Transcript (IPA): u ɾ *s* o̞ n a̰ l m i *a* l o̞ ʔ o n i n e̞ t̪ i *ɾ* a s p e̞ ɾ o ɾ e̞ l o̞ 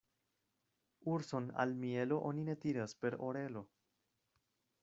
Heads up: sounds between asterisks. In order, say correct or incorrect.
correct, incorrect: e, correct

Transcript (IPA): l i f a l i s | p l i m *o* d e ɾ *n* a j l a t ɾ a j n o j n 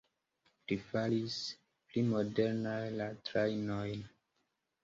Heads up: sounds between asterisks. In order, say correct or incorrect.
correct, correct

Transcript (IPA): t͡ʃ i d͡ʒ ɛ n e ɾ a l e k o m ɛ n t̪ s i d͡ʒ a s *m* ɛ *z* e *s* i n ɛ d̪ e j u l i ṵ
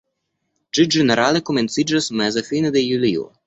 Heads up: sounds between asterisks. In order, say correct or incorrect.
correct, correct, incorrect: f

